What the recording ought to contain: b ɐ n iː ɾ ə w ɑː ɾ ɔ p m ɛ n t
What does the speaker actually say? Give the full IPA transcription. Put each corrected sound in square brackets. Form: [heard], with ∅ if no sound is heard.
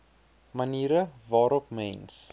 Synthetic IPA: [m] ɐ n iː ɾ ə [v] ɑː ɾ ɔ p m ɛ n [s]